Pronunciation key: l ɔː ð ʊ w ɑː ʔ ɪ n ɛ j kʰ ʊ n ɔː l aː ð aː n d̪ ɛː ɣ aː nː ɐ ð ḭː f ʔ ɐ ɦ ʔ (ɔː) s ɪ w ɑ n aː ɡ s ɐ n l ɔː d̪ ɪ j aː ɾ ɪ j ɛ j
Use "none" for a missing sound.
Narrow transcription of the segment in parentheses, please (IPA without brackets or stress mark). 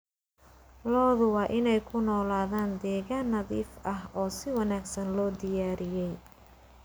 ɔː